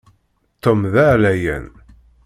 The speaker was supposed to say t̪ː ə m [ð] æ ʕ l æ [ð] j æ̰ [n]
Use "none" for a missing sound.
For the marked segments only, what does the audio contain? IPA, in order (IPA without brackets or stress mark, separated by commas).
ð, none, n